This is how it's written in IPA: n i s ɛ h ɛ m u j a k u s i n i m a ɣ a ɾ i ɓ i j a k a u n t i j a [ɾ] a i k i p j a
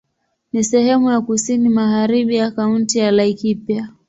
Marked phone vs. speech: incorrect: l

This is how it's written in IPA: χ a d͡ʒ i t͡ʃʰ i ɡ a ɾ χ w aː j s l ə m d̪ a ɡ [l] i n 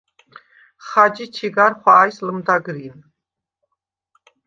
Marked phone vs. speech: incorrect: ɾ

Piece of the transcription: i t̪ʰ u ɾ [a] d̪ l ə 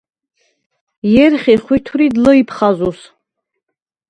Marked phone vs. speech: incorrect: i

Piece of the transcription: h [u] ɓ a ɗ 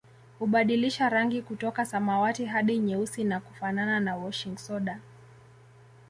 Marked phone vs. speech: correct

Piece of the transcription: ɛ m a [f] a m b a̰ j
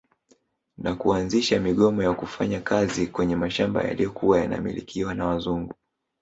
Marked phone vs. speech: incorrect: ʃ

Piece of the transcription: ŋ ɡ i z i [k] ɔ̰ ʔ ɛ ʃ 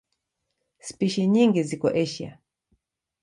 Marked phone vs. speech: correct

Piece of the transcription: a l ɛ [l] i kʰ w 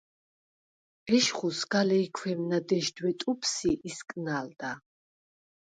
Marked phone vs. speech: incorrect: none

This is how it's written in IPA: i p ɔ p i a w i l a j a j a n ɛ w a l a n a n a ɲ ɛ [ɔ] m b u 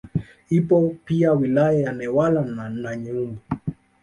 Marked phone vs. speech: incorrect: u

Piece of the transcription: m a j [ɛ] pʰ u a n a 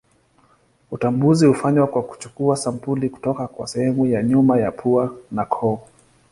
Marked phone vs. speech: incorrect: a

